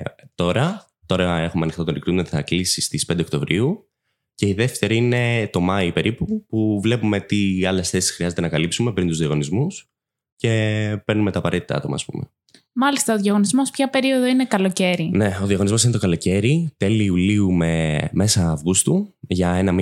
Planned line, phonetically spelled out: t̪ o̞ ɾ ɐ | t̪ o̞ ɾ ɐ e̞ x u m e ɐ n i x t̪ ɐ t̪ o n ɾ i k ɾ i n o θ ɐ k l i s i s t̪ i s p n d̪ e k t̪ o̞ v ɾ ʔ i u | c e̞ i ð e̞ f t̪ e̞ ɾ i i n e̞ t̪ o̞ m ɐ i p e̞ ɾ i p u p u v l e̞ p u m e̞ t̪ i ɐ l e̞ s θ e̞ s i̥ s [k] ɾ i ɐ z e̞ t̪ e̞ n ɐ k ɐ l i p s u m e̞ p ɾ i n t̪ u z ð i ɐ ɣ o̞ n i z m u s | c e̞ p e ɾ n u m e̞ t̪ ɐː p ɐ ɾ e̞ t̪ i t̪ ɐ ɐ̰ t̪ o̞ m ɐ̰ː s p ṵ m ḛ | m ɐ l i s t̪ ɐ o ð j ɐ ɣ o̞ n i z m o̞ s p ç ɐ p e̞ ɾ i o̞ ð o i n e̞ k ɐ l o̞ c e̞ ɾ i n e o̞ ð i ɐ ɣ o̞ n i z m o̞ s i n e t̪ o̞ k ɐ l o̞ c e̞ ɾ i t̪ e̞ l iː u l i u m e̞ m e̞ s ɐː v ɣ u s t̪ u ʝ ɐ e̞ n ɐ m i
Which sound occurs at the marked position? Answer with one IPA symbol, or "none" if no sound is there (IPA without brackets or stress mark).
x